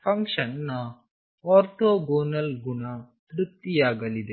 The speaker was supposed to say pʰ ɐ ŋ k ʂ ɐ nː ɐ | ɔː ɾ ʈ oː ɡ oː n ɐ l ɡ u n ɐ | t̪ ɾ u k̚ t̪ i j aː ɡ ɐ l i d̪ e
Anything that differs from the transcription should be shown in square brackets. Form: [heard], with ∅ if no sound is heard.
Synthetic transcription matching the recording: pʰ ɐ ŋ k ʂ ɐ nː ɐ | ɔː ɾ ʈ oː ɡ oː n ɐ l ɡ u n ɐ | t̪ ɾ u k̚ t̪ i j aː ɡ ɐ l i d̪ e